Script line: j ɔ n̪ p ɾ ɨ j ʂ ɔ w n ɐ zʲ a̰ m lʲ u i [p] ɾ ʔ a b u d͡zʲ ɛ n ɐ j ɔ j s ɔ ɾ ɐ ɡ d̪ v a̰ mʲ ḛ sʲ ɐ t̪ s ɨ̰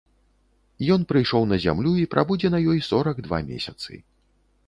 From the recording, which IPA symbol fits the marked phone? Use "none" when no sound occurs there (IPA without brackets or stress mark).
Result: p